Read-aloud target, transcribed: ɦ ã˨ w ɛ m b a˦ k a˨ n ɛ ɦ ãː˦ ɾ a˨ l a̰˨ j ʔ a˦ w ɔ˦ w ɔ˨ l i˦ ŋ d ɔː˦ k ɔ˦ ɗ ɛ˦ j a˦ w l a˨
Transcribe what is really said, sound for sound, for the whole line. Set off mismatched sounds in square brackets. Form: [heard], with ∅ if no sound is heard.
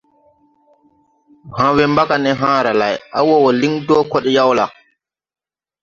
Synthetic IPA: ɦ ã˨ w ɛ m b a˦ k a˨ n ɛ ɦ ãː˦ ɾ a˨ l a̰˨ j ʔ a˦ w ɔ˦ w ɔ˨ l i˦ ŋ d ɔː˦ k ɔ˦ ɗ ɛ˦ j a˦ w l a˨